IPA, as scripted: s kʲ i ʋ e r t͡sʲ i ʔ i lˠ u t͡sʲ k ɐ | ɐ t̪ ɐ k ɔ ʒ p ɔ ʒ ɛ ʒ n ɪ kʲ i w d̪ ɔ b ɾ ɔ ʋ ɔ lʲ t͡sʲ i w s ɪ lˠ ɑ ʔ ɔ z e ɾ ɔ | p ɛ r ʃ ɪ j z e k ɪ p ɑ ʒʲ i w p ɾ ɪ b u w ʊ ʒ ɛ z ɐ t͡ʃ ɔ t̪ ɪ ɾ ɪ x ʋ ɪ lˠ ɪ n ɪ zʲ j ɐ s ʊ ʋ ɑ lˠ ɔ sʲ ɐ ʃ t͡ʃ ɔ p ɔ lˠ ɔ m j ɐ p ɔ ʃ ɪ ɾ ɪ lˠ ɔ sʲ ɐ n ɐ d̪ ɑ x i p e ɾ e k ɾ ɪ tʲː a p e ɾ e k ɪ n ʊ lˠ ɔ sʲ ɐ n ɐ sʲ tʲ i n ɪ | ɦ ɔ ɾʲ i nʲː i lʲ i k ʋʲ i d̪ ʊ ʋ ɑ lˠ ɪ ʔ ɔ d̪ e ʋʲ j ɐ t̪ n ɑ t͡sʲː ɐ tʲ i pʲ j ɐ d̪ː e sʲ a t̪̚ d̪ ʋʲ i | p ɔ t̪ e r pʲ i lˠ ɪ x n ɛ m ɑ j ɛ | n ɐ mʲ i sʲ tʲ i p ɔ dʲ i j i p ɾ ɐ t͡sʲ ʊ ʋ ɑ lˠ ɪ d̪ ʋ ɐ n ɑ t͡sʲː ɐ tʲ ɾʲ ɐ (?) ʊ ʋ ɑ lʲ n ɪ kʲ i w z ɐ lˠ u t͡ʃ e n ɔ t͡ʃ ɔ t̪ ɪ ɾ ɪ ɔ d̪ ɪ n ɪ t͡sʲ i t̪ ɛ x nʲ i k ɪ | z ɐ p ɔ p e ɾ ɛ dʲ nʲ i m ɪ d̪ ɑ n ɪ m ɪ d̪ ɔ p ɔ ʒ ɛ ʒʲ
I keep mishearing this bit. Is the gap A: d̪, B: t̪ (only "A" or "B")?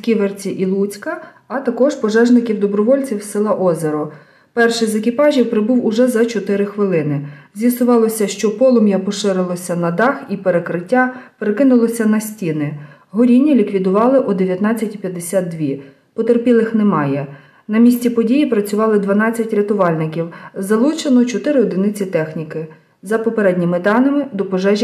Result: B